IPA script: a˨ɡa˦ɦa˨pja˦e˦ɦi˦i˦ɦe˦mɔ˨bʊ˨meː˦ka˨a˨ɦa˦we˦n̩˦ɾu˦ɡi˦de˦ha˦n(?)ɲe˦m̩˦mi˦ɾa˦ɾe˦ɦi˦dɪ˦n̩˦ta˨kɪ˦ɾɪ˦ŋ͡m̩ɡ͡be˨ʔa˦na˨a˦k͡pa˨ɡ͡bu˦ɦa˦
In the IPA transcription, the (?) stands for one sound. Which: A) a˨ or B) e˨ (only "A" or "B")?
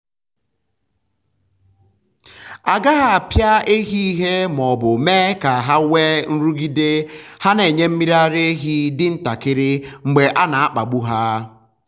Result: B